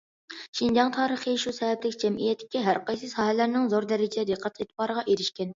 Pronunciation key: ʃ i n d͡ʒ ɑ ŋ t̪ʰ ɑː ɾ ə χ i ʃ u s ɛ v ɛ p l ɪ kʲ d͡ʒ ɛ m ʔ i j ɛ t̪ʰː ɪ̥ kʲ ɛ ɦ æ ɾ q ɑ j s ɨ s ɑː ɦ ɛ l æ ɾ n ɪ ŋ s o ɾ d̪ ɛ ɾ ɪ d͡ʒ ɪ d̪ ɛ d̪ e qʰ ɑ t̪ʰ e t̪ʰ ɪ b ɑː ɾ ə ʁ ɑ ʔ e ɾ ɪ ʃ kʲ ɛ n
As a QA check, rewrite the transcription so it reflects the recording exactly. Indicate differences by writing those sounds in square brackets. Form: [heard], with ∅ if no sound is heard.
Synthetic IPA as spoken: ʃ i n d͡ʒ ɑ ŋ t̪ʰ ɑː ɾ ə χ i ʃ u s ɛ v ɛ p l ɪ kʲ d͡ʒ ɛ m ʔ i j ɛ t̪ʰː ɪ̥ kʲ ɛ ɦ æ ɾ q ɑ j s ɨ s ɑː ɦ ɛ l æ ɾ n ɪ ŋ [z] o ɾ d̪ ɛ ɾ ɪ d͡ʒ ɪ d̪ ɛ d̪ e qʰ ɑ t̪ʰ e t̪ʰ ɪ b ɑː ɾ ə ʁ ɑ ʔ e ɾ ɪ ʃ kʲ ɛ n